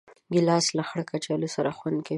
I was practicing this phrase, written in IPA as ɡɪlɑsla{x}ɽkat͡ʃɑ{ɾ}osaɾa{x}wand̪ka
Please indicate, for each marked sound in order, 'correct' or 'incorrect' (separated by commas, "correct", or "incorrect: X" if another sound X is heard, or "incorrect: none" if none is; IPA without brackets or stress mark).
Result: correct, incorrect: l, correct